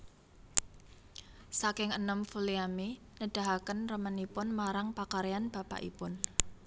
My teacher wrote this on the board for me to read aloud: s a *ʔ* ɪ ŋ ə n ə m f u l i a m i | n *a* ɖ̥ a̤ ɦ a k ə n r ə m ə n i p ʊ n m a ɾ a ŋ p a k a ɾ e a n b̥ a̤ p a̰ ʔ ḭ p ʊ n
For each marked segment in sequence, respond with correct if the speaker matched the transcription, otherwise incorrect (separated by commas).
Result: incorrect, incorrect